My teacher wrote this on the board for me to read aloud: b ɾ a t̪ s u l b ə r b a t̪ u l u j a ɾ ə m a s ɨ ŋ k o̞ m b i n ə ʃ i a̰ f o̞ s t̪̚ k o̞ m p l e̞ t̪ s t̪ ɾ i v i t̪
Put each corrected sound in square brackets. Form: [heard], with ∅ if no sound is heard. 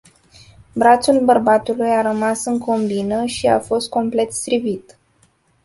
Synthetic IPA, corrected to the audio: b ɾ a t̪ s u l b ə r b a t̪ u l u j a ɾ ə m a s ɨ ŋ k o̞ m b i n ə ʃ i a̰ f o̞ s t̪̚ k o̞ m p l e̞ t̪ s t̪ ɾ i v i t̪